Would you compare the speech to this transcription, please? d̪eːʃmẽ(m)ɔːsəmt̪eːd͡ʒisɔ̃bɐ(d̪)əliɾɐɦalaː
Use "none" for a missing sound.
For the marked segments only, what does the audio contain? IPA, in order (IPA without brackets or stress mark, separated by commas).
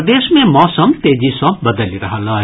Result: m, d̪